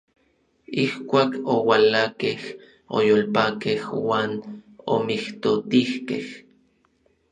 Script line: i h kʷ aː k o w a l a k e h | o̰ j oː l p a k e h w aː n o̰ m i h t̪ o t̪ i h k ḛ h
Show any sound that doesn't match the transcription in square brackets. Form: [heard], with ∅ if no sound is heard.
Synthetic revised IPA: i h kʷ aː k o w a l a k e h | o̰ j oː l p a k e h w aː n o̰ m i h t̪ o t̪ i h k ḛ h